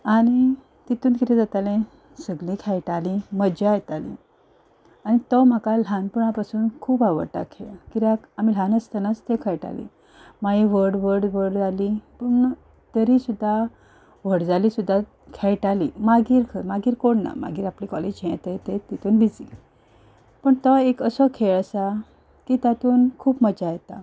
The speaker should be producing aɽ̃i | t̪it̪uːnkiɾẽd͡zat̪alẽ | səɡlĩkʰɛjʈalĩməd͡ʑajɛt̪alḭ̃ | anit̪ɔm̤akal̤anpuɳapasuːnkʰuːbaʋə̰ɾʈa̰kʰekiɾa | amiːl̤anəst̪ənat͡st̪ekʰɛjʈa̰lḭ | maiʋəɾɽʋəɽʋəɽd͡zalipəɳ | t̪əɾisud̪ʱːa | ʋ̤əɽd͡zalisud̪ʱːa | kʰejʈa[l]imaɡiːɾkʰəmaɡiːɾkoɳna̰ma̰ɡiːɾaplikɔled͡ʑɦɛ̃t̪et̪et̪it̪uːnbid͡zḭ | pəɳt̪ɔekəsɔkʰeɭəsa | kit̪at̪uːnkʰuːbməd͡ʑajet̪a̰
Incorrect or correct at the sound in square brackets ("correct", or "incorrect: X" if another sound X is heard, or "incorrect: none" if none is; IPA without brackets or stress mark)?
correct